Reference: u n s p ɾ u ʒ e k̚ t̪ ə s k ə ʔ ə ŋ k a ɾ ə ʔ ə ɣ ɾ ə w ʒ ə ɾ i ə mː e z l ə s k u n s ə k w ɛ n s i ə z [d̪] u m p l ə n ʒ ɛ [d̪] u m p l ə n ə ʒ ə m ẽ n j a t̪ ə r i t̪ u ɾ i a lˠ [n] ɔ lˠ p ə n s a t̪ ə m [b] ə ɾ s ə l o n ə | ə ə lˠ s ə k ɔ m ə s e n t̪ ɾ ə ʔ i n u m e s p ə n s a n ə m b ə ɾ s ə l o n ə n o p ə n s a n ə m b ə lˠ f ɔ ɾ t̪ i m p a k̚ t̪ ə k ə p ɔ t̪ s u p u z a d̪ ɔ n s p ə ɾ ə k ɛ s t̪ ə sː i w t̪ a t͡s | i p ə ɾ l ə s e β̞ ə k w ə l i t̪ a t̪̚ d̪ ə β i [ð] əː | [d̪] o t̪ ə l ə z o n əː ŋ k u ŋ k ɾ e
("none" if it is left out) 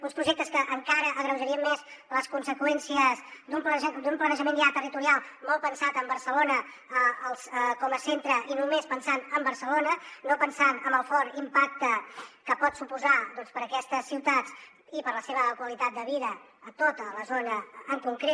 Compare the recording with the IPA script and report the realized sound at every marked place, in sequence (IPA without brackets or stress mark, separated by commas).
d̪, d̪, m, b, ð, t̪